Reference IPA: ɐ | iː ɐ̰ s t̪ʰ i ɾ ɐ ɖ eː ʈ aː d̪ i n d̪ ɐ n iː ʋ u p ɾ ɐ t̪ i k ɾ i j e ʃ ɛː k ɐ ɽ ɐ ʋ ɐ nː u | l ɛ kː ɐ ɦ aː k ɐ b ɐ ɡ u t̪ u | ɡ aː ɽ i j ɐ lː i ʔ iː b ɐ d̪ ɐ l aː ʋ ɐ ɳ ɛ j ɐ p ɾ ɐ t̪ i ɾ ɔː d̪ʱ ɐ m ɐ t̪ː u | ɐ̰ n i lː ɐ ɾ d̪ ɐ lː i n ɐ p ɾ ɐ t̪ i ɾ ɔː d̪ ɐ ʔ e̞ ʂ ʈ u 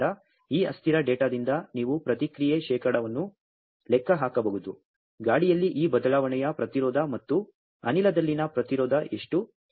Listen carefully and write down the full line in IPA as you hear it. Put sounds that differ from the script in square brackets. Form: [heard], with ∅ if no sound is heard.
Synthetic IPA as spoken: ɐ | iː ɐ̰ s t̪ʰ i ɾ ɐ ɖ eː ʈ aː d̪ i n d̪ ɐ n iː ʋ u p ɾ ɐ t̪ i k ɾ i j e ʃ ɛː k ɐ ɽ ɐ ʋ ɐ nː u | l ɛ kː ɐ ɦ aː k ɐ b ɐ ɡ u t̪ u | ɡ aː ɽ i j ɐ lː i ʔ iː b ɐ d̪ ɐ l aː ʋ ɐ ɳ ɛ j ɐ p ɾ ɐ t̪ i ɾ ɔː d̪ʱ ɐ m ɐ t̪ː u | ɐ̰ n i [l] ɐ [∅] d̪ ɐ lː i n ɐ p ɾ ɐ t̪ i ɾ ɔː d̪ ɐ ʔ e̞ ʂ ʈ u

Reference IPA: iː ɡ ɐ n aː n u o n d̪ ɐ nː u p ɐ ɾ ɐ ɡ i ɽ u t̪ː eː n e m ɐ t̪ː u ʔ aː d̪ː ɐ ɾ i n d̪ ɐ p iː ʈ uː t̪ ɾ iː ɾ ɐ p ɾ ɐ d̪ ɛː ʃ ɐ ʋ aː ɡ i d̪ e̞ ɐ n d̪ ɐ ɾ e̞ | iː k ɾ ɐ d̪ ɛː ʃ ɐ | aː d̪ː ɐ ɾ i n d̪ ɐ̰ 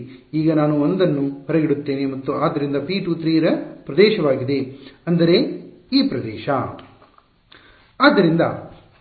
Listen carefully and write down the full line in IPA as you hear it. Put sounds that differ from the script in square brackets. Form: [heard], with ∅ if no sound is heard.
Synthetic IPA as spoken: iː ɡ ɐ n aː n u o n d̪ ɐ nː u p ɐ ɾ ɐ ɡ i ɽ u t̪ː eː n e m ɐ t̪ː u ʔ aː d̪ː ɐ ɾ i n d̪ ɐ p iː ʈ uː t̪ ɾ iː ɾ ɐ p ɾ ɐ d̪ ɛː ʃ ɐ ʋ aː ɡ i d̪ e̞ ɐ n d̪ ɐ ɾ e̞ | iː [p] ɾ ɐ d̪ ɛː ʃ ɐ | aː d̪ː ɐ ɾ i n d̪ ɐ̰

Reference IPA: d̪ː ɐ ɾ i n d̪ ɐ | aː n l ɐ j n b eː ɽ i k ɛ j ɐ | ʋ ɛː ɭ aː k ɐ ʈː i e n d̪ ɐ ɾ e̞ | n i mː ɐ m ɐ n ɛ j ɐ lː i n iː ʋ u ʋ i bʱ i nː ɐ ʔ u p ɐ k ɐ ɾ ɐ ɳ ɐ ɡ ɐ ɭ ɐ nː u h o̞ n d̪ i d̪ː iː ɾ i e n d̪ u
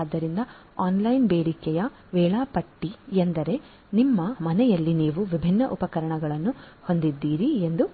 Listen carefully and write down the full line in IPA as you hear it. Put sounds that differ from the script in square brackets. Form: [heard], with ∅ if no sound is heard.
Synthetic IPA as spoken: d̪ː ɐ ɾ i n d̪ ɐ | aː n l ɐ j n b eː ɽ i k ɛ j ɐ | ʋ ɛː ɭ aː [p] ɐ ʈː i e n d̪ ɐ ɾ e̞ | n i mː ɐ m ɐ n ɛ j ɐ lː i n iː ʋ u ʋ i bʱ i nː ɐ ʔ u p ɐ k ɐ ɾ ɐ ɳ ɐ ɡ ɐ ɭ ɐ nː u h o̞ n d̪ i d̪ː iː ɾ i e n d̪ u

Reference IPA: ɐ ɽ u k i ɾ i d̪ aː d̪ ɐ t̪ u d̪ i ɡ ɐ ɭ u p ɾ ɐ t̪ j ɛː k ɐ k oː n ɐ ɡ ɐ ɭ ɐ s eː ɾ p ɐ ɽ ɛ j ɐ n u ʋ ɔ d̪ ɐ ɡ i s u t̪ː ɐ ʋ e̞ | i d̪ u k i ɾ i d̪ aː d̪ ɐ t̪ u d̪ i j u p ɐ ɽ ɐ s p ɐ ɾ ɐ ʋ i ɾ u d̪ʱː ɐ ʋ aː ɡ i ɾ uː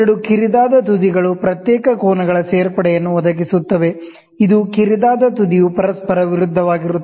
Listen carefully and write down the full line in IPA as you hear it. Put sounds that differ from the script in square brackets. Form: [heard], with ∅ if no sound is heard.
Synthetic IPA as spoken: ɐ ɽ u k i ɾ i d̪ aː d̪ ɐ t̪ u d̪ i ɡ ɐ ɭ u p ɾ ɐ t̪ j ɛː k ɐ k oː n ɐ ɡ ɐ ɭ ɐ s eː ɾ p ɐ ɽ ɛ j ɐ [nː] u ʋ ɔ d̪ ɐ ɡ i s u t̪ː ɐ ʋ e̞ | i d̪ u k i ɾ i d̪ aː d̪ ɐ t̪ u d̪ i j u p ɐ [ɾ] ɐ s p ɐ ɾ ɐ ʋ i ɾ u d̪ʱː ɐ ʋ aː ɡ i ɾ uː

